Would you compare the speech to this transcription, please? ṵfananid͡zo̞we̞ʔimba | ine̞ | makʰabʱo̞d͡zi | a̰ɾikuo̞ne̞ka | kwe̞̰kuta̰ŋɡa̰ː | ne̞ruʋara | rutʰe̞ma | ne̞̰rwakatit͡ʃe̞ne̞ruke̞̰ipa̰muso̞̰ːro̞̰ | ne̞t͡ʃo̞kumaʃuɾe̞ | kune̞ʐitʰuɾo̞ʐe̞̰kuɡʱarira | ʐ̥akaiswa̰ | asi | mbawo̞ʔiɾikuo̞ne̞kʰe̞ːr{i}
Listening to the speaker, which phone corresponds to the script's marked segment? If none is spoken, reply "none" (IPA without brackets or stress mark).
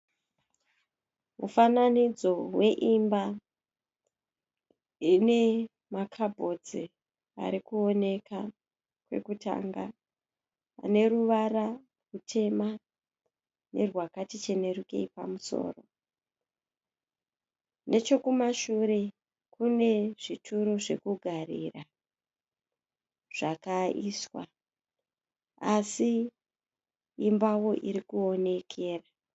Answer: a